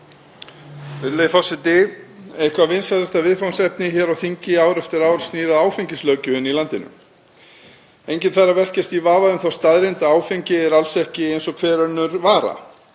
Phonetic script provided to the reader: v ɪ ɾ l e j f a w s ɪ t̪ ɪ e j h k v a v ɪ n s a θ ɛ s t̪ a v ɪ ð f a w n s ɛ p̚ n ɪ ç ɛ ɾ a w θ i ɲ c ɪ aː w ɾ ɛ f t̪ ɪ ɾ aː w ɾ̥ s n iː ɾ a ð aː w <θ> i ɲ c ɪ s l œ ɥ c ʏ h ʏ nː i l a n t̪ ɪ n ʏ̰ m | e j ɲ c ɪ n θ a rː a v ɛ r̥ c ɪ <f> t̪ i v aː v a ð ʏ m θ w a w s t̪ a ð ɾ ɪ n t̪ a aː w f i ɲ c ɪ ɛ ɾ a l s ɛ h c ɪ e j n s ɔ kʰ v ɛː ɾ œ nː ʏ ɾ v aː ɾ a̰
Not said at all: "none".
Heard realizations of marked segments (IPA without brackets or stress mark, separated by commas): f, s